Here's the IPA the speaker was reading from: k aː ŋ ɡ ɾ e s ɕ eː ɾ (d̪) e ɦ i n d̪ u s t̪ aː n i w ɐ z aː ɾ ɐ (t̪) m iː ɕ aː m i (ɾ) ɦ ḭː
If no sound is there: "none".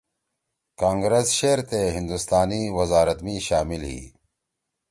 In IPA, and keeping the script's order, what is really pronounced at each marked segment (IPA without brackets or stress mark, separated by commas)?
t̪, t̪, l